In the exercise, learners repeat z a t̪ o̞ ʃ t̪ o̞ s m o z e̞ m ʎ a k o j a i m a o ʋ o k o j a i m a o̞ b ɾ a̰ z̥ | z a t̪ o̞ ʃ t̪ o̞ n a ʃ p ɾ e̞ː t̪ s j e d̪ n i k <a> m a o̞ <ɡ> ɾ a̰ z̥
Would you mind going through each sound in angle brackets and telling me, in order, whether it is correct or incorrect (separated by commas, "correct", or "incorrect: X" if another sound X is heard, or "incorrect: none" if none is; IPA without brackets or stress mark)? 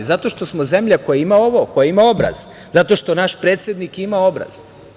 incorrect: i, incorrect: b